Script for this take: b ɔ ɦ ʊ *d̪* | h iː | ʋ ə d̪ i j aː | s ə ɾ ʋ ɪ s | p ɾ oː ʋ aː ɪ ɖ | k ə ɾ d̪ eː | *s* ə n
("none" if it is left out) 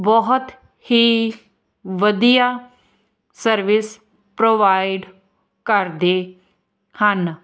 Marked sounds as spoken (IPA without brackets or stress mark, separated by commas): t̪, h